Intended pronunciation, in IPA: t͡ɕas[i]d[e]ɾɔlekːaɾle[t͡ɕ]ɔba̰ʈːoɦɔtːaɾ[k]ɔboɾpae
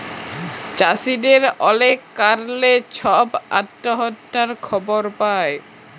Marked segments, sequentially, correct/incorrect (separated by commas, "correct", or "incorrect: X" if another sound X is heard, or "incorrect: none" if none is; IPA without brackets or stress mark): correct, correct, incorrect: t͡ɕʰ, incorrect: kʰ